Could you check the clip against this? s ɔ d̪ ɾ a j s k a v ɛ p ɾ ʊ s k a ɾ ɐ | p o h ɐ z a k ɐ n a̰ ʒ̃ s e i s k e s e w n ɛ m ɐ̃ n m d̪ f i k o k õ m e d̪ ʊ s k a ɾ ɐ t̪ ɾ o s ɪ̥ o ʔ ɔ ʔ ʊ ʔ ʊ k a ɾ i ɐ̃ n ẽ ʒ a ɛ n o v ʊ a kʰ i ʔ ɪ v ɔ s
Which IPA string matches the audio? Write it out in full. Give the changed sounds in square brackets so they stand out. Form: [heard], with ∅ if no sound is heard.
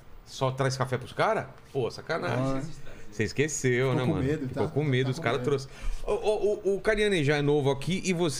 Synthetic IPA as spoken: s ɔ [t̪] ɾ a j s k a [f] ɛ p ɾ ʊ s k a ɾ ɐ | p o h ɐ [s] a k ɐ n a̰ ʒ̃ s e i s k e s e w n ɛ m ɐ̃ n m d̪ f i k o k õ m e d̪ ʊ s k a ɾ ɐ t̪ ɾ o s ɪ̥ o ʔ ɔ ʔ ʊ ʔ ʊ k a ɾ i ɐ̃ n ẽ ʒ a ɛ n o v ʊ a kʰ i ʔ ɪ v [o] s